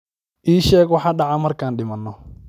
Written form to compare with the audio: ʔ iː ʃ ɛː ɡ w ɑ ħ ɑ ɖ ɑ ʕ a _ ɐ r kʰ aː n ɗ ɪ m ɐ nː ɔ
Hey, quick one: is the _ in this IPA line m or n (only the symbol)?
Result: m